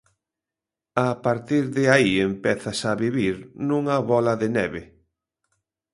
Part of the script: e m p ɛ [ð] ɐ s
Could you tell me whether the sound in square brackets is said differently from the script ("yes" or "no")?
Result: yes